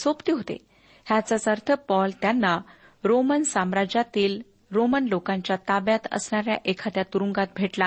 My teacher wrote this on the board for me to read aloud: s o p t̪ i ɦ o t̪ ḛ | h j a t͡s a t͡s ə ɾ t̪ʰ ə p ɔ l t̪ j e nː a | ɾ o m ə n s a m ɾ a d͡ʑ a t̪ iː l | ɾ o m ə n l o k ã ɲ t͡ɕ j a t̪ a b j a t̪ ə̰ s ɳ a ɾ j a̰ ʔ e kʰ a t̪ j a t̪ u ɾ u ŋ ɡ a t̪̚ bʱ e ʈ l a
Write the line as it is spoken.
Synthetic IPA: s o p t̪ i ɦ o t̪ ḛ | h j a t͡s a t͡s ə ɾ t̪ʰ ə p ɔ l t̪ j a nː a | ɾ o m ə n s a m ɾ a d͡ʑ a t̪ iː l | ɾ o m ə n l o k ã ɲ t͡ɕ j a t̪ a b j a t̪ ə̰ s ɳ a ɾ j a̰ ʔ e kʰ a t̪ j a t̪ u ɾ u ŋ ɡ a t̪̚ bʱ e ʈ l a